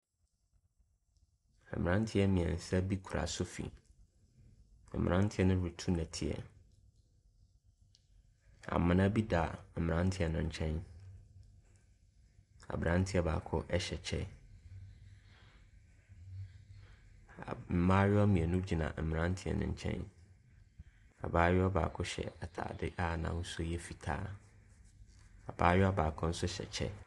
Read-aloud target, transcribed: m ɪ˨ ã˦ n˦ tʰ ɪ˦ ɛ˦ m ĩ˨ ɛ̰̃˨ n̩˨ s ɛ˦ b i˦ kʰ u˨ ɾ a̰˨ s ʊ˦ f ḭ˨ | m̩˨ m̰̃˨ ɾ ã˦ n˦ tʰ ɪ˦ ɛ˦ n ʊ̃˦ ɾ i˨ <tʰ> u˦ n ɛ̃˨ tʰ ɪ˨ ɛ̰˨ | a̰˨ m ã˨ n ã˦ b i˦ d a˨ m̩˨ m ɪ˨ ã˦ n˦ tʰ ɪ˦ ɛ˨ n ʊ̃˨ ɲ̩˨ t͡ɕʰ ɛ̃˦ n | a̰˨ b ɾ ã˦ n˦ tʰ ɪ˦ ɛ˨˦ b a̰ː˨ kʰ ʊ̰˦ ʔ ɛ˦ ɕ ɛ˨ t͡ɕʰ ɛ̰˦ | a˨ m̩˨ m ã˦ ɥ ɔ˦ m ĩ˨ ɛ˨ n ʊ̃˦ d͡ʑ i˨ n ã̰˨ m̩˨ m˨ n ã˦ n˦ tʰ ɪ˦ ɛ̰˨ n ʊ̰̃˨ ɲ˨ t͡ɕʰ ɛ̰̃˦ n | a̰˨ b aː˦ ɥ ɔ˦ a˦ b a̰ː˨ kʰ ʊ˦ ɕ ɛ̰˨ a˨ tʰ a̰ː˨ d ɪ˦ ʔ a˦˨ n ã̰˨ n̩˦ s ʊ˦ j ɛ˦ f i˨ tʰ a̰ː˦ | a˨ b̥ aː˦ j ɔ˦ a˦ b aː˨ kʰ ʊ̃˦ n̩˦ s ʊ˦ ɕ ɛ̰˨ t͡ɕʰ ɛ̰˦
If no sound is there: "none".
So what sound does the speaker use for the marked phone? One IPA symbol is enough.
tʰ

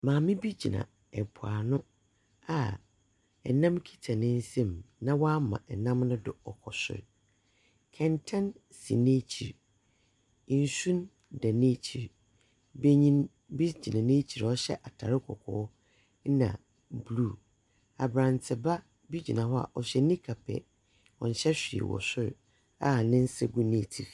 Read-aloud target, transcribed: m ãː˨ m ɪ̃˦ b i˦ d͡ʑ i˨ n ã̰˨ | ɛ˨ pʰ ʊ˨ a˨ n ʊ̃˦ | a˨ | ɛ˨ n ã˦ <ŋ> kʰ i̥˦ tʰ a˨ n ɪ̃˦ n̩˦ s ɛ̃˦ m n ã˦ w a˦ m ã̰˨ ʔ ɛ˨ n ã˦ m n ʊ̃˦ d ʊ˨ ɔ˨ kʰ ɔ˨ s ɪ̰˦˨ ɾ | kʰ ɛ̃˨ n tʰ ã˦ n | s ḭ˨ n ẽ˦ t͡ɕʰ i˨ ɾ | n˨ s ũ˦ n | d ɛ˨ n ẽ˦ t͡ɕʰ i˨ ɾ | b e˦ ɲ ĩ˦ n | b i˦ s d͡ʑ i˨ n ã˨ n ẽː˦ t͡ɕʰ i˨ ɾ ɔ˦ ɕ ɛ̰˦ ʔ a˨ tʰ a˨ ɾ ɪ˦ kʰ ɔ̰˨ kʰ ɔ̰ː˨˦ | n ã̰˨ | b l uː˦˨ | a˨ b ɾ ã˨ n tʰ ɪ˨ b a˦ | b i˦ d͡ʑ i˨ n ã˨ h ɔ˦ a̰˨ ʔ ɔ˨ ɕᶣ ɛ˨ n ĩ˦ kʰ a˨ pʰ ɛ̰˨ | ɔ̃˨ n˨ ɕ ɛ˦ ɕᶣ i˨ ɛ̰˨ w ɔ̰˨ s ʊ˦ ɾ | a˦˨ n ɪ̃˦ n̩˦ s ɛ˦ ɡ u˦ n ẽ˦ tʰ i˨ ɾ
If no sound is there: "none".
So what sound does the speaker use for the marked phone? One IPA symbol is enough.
m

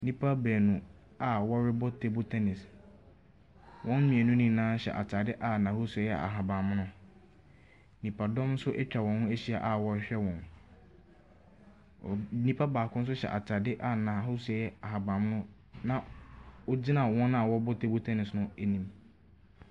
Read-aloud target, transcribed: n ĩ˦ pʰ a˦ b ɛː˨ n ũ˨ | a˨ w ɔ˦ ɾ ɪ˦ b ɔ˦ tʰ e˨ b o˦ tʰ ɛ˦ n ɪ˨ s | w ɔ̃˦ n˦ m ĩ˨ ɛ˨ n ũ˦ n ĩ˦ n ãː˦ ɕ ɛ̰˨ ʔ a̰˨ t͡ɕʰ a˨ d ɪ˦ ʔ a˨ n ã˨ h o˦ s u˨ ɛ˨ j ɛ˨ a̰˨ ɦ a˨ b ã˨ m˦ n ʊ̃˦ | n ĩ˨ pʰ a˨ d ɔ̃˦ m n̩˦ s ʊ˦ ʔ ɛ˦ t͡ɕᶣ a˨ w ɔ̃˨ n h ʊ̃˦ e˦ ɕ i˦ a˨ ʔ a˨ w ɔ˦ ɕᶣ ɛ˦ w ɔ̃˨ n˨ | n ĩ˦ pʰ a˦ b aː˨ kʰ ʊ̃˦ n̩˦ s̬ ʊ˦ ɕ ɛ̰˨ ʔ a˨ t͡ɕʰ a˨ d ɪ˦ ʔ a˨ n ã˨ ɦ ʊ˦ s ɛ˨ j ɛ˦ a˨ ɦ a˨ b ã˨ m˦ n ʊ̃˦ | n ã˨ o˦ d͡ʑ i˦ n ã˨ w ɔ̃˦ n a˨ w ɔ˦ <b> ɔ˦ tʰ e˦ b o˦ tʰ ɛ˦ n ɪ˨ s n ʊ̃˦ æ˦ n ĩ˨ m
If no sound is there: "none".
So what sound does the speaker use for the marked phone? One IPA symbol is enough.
b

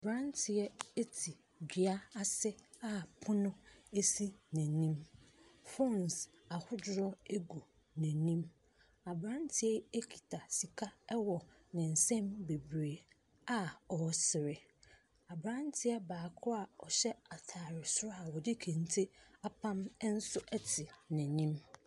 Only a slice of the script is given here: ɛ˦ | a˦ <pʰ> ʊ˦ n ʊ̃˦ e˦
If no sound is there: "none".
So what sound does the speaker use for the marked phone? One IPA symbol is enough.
pʰ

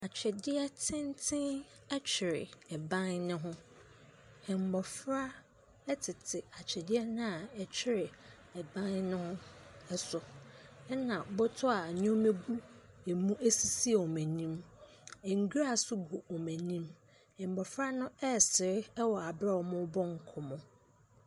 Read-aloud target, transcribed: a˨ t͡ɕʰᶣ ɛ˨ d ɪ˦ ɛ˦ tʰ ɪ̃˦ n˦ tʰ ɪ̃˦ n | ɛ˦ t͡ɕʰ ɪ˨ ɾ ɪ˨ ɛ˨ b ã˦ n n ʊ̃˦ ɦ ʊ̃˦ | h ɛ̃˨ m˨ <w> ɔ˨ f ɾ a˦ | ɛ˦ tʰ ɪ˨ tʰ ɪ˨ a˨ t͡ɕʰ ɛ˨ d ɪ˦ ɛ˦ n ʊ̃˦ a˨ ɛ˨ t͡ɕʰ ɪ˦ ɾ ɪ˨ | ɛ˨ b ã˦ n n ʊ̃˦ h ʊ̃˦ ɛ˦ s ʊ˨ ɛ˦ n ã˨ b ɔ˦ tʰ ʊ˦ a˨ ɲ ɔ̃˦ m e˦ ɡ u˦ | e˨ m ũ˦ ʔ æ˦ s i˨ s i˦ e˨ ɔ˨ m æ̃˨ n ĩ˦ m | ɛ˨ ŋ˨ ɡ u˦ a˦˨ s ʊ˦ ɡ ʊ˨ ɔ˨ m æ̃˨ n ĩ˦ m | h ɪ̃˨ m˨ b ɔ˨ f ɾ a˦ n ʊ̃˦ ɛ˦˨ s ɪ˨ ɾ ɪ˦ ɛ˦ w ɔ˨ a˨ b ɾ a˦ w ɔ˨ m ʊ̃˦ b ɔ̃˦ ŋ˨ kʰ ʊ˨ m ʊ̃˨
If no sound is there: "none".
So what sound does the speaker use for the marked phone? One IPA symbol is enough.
b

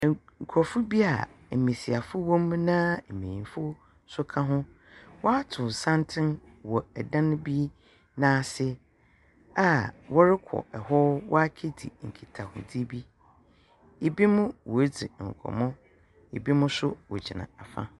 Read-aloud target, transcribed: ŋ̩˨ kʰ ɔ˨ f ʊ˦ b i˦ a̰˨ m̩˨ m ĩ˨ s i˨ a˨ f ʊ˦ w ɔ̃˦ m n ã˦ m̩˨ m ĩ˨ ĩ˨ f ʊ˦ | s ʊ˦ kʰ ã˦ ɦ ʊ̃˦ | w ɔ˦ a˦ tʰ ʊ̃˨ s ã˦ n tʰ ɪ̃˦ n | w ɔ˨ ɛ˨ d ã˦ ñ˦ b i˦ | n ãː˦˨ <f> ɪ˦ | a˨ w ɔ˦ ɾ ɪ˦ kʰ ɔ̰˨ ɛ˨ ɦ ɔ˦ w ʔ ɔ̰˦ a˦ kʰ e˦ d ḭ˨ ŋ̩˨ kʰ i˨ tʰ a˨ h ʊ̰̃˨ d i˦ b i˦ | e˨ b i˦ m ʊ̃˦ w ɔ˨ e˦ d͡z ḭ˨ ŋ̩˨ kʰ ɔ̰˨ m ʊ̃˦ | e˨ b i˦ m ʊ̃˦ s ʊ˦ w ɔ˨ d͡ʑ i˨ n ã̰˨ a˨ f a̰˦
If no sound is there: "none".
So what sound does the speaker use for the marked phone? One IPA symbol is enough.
s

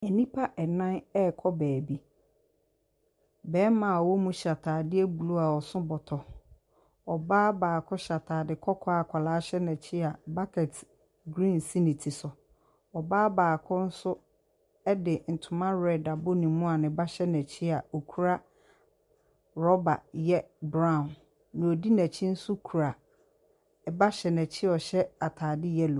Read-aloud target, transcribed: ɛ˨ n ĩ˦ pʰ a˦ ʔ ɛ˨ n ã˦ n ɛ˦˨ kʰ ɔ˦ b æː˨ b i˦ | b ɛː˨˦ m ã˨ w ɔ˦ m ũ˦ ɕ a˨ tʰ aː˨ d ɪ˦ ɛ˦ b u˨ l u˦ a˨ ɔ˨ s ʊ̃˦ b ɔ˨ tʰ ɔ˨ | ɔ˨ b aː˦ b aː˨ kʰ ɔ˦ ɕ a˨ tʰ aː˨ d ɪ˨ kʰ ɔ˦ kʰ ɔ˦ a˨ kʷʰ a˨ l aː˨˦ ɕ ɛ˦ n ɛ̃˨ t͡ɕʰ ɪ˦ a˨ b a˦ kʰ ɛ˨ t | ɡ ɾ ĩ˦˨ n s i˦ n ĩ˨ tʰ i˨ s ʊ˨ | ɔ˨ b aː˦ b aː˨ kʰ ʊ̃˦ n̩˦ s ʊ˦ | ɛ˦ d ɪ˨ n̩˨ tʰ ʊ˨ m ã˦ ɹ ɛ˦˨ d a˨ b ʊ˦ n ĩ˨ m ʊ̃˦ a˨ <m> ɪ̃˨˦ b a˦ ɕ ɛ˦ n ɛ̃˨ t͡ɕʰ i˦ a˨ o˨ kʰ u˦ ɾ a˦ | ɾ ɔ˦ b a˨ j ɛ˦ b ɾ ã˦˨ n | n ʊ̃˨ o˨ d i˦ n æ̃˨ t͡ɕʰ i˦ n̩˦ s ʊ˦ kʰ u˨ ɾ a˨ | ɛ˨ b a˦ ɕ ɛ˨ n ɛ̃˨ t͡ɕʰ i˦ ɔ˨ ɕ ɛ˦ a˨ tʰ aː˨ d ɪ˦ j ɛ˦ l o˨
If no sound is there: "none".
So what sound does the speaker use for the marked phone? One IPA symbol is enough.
n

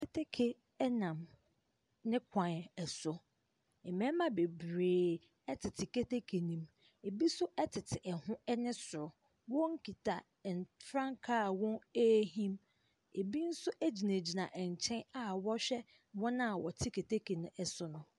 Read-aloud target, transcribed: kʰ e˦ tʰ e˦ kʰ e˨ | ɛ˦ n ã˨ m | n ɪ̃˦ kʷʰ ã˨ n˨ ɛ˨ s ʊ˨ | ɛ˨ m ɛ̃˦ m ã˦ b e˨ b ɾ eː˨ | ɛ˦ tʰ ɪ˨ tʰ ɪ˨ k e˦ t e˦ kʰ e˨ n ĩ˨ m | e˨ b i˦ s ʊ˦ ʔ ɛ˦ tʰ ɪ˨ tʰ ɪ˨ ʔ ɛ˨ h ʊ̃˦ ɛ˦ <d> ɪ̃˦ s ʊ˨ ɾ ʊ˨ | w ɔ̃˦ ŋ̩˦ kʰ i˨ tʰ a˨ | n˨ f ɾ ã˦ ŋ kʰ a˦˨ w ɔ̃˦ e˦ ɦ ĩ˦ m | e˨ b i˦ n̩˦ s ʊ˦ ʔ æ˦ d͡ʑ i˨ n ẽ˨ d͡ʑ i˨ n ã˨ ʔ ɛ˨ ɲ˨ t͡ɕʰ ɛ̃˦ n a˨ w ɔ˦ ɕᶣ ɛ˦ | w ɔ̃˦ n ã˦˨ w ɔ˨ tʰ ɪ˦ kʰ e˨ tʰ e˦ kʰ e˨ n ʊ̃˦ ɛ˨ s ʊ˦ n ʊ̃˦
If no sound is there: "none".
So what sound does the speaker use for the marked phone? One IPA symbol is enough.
n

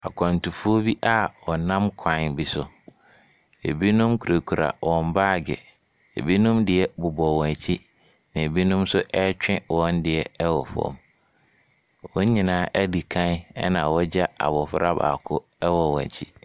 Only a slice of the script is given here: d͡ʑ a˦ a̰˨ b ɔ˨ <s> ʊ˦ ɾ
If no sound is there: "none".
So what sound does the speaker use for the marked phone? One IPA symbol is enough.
f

